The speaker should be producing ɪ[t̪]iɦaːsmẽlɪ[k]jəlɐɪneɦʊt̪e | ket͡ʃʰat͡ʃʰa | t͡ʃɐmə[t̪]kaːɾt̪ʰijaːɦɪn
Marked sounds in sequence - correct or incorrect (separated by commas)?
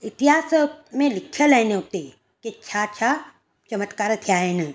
correct, incorrect, correct